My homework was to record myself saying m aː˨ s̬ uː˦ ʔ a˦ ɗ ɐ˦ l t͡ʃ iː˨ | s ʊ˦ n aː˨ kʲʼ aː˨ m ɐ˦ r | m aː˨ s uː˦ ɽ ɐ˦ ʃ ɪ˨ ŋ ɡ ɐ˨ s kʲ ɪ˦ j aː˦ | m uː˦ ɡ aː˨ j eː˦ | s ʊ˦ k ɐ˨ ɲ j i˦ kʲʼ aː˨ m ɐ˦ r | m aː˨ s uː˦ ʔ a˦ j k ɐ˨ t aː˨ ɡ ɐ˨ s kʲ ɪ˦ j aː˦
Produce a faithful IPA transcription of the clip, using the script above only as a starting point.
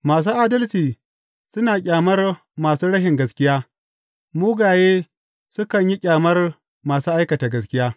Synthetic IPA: m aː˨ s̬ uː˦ ʔ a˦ d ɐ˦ l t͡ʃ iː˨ | s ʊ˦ n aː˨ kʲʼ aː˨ m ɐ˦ r | m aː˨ s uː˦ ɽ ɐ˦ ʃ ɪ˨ ŋ ɡ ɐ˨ s kʲ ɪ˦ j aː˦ | m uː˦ ɡ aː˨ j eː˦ | s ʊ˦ k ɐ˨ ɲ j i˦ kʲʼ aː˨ m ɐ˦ r | m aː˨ s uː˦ ʔ a˦ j k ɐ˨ t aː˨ ɡ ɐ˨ s kʲ ɪ˦ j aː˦